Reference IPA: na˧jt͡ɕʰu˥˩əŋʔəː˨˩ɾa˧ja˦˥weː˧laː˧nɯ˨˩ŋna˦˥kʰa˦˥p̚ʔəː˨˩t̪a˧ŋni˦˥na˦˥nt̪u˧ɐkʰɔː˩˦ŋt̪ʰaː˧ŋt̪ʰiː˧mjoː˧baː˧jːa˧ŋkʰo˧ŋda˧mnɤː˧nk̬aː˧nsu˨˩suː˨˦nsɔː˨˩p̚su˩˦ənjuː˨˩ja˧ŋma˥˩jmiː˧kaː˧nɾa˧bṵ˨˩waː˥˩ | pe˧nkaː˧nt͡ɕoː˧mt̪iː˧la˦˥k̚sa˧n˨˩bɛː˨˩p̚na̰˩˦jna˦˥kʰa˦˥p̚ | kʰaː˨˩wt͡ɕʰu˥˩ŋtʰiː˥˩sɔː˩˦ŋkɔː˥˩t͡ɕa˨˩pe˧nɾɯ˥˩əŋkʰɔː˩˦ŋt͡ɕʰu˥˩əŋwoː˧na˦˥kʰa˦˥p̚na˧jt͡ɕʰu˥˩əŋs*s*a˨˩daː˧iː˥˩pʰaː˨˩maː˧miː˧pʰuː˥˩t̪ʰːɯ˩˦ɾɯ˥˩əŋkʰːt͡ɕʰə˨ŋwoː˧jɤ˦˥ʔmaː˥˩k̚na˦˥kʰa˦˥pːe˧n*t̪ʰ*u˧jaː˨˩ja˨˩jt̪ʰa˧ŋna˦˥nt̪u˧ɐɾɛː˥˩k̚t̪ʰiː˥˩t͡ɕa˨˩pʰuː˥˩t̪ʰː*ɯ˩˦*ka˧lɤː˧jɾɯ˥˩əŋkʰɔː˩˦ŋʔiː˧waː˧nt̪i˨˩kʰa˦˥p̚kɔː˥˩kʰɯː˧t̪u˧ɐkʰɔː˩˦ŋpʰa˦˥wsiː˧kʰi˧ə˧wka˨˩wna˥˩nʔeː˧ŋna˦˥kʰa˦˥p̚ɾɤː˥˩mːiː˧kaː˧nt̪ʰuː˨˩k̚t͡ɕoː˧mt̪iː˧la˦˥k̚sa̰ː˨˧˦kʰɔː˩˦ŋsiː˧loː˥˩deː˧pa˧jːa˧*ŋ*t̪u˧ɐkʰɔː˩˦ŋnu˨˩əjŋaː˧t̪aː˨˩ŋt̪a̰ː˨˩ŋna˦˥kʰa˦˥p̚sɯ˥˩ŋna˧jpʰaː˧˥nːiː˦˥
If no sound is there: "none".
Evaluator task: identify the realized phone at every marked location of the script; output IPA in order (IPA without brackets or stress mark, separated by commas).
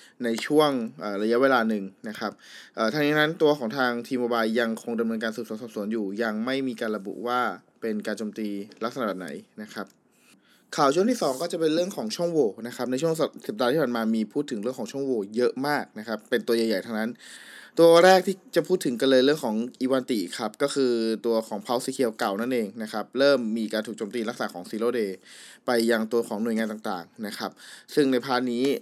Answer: s, t̪, ɯ˩˦, ŋ